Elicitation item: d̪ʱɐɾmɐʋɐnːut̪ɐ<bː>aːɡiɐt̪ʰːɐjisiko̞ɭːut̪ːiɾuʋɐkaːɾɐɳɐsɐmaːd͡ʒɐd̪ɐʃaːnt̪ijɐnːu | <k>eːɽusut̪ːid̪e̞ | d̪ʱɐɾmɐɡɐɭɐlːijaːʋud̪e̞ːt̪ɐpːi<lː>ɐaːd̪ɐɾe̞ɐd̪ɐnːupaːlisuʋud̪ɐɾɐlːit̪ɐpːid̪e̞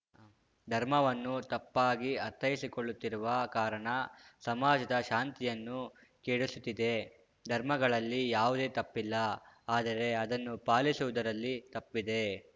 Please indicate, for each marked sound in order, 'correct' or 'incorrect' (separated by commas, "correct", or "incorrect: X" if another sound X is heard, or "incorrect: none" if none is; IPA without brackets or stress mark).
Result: incorrect: pː, correct, correct